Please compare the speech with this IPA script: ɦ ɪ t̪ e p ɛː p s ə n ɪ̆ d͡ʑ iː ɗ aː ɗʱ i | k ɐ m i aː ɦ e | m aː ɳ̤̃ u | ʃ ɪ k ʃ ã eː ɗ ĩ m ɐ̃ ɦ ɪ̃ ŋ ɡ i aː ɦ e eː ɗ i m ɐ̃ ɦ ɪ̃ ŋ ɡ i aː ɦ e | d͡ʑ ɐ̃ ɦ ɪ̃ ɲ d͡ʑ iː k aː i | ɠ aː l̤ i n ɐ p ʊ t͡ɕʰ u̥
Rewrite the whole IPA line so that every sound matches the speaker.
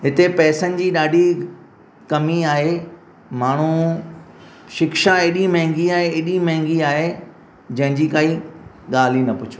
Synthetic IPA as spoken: ɦ ɪ t̪ e p ɛː s ə n ɪ̆ d͡ʑ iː ɗ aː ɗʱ i | k ɐ m i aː ɦ e | m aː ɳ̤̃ u | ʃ ɪ k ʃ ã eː ɗ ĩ m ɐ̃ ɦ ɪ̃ ŋ ɡ i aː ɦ e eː ɗ i m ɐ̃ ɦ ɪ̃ ŋ ɡ i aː ɦ e | d͡ʑ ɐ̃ ɦ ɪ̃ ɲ d͡ʑ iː k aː i | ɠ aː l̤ i n ɐ p ʊ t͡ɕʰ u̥